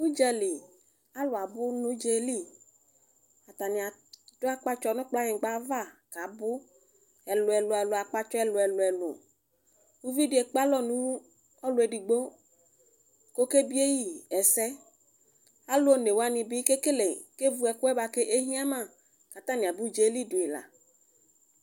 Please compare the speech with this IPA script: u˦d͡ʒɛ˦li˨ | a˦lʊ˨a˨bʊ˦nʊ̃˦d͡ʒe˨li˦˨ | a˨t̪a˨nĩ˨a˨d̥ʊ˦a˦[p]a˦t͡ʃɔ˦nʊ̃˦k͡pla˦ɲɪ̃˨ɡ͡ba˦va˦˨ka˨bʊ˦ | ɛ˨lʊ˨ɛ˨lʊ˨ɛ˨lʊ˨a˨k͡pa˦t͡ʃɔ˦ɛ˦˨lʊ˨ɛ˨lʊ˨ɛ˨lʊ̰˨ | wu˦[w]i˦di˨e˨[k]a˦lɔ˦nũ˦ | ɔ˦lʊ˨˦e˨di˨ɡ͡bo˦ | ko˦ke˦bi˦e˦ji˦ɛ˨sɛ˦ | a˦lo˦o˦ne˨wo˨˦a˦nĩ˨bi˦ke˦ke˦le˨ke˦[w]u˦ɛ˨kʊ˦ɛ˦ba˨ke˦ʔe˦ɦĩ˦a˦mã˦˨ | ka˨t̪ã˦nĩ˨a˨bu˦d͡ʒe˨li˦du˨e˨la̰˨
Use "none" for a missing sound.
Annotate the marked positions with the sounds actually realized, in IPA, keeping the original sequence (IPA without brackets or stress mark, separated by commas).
k͡p, v, k͡p, v